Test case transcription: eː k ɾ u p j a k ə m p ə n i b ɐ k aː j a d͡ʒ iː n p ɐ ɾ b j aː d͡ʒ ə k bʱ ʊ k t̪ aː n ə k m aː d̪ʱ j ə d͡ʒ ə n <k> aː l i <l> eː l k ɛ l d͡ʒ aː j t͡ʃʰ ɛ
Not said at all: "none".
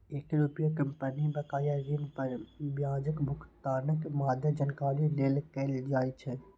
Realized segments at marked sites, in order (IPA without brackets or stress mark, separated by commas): k, l